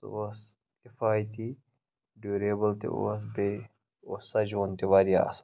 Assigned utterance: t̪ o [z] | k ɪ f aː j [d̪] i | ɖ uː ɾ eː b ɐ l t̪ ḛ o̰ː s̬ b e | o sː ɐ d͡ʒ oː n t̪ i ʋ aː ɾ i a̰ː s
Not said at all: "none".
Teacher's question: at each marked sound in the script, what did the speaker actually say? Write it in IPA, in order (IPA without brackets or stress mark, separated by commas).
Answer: s, t̪